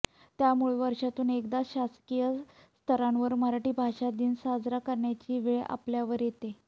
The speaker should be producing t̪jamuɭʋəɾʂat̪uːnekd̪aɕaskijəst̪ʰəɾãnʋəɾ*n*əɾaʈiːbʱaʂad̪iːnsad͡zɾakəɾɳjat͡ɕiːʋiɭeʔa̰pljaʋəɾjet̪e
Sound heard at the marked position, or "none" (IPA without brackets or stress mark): m